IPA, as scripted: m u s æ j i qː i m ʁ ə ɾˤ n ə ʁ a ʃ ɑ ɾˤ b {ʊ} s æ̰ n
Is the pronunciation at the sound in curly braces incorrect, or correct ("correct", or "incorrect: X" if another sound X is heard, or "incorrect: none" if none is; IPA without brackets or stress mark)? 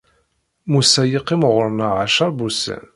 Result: incorrect: u